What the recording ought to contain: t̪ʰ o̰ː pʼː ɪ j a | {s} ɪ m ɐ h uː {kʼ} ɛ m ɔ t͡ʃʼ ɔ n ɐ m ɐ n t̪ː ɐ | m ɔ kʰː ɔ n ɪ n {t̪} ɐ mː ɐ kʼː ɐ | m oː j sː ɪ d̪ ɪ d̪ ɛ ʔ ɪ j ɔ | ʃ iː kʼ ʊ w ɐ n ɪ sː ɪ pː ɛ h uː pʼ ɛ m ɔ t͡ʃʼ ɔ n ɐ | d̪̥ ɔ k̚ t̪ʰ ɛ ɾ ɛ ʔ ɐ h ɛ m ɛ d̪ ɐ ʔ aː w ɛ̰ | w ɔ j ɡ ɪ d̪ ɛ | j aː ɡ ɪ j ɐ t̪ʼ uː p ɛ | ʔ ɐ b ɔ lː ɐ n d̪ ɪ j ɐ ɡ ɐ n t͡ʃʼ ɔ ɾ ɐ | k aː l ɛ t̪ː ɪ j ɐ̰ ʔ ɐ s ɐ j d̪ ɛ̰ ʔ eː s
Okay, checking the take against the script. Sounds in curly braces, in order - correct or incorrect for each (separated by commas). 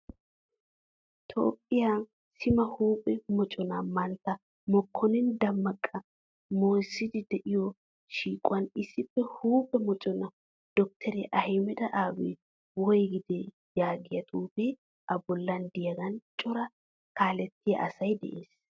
correct, incorrect, incorrect